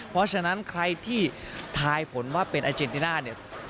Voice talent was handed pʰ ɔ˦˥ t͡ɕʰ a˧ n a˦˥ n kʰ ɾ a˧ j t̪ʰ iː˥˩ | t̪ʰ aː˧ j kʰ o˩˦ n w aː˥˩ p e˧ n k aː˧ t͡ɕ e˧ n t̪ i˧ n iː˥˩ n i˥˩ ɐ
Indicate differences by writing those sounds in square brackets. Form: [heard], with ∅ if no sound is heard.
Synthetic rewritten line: pʰ ɔ˦˥ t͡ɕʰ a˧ n a˦˥ n kʰ ɾ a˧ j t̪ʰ iː˥˩ | t̪ʰ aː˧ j [pʰ] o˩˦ n w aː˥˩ p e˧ n [ʔ] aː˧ t͡ɕ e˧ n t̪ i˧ n [aː˥˩] n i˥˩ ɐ